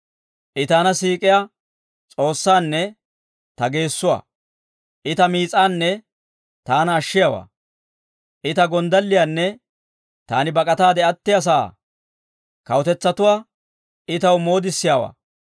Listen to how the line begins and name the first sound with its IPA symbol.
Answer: ʔ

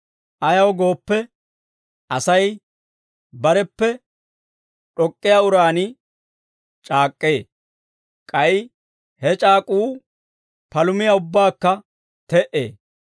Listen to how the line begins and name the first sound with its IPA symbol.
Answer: ʔ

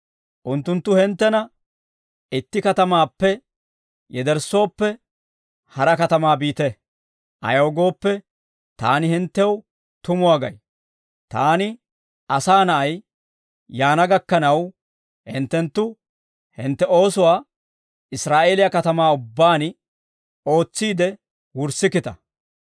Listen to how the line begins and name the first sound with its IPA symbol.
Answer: ʔ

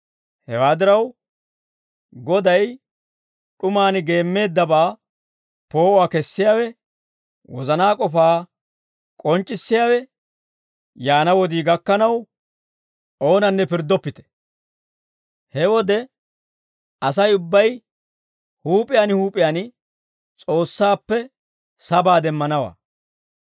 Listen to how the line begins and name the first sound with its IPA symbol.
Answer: h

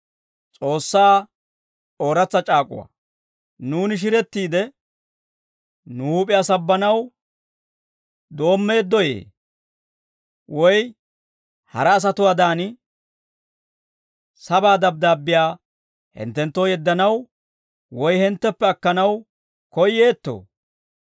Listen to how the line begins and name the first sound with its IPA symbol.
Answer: t͡sʼ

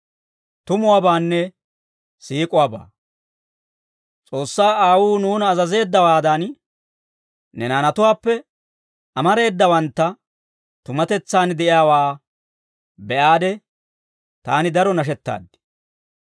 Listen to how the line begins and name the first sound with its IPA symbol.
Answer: t̪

